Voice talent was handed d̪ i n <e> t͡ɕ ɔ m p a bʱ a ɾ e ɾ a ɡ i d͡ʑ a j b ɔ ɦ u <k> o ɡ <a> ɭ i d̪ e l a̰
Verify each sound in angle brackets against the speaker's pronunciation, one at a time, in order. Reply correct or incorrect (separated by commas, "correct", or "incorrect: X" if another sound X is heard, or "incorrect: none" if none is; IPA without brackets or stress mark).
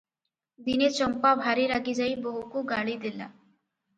correct, correct, correct